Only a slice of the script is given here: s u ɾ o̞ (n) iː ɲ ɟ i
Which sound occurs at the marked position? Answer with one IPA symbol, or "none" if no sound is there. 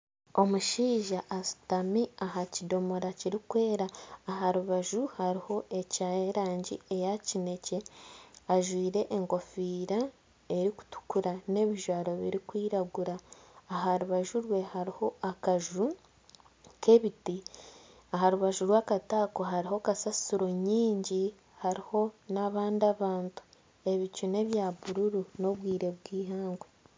ɲ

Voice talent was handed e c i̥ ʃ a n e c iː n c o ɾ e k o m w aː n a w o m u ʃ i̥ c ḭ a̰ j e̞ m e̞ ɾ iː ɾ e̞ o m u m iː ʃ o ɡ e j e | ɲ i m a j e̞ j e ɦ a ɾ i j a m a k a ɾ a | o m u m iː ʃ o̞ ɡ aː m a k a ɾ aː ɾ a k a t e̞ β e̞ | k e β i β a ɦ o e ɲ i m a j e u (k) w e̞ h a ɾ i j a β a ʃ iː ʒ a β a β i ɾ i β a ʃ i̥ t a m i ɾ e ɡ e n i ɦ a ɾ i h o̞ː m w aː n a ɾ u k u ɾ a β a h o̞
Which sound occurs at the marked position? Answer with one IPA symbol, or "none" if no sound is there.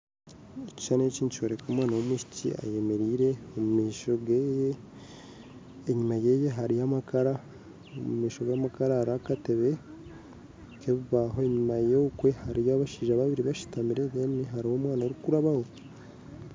k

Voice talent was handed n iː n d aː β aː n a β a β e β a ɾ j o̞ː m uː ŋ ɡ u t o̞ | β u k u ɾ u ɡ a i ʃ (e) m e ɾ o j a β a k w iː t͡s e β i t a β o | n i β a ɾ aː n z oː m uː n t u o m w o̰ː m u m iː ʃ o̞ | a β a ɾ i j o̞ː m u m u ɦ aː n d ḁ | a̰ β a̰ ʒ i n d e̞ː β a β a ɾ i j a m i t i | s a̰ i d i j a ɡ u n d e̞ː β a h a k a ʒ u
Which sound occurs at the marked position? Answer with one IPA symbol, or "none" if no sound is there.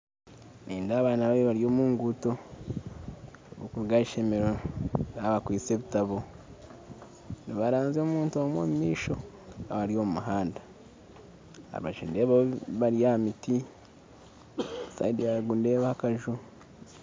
e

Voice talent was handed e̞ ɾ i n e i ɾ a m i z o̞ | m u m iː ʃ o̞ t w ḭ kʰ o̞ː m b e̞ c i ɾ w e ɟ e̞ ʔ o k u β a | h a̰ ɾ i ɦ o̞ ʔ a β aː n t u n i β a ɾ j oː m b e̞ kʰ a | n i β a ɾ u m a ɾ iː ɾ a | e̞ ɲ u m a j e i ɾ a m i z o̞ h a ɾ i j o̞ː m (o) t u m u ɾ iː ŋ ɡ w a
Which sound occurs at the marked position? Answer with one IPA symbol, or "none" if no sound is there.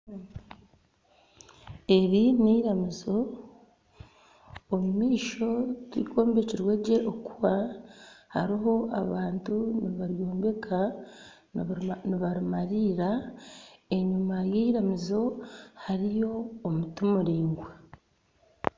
u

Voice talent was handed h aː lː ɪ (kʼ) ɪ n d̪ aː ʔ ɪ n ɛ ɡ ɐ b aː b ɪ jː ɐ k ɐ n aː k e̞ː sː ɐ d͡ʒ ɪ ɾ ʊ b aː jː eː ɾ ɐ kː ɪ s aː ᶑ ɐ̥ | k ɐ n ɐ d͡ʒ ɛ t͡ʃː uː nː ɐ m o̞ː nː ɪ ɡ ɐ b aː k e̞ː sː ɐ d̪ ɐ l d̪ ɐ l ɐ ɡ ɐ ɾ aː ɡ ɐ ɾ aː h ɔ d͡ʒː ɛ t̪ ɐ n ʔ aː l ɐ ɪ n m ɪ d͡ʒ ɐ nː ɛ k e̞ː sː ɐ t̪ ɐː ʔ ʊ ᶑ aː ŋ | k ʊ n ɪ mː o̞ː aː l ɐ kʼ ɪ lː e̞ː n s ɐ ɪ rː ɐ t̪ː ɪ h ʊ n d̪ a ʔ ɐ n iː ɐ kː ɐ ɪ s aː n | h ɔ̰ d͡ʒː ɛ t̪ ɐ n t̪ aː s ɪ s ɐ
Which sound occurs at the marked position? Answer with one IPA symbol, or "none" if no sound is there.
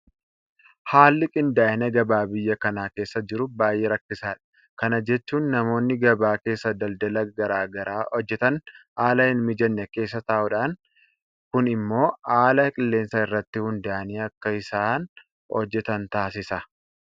kʼ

